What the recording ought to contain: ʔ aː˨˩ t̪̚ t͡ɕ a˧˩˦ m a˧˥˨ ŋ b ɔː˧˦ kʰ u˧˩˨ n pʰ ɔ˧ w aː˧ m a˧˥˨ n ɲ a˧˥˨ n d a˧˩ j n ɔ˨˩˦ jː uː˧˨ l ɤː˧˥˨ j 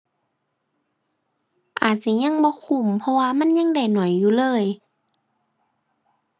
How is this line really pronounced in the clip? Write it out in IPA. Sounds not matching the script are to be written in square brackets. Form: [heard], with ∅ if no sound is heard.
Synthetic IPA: ʔ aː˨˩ t̪̚ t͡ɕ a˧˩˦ [ɲ] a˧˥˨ ŋ b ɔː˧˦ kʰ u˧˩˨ [m] pʰ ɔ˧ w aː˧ m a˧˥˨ n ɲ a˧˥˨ [ŋ] d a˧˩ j n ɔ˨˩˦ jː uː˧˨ l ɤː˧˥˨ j